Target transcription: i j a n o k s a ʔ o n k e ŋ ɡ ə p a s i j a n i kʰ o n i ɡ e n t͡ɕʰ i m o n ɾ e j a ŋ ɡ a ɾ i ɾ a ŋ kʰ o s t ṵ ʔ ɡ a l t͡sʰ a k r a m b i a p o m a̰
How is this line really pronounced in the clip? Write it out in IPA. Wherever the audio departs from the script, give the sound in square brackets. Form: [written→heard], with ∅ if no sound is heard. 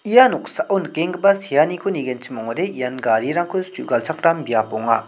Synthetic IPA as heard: i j a n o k s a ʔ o n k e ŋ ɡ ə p a s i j a n i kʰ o n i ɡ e n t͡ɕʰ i m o [n→ŋ] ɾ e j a [ŋ→n] ɡ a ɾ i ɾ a ŋ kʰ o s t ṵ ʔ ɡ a l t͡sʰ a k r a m b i a p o [m→ŋ] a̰